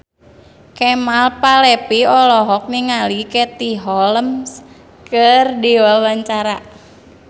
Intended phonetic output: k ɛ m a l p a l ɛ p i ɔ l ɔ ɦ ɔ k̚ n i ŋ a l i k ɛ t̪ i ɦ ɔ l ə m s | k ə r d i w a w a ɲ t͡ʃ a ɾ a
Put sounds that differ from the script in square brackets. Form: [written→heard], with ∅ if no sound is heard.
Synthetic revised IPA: k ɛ m a l p a l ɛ p i ɔ l ɔ ɦ ɔ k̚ n i ŋ a l i k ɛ t̪ i ɦ ɔ l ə m s | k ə r d i w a w a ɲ t͡ʃ a ɾ a